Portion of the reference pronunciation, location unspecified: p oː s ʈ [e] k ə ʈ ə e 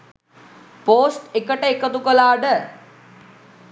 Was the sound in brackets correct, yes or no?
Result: yes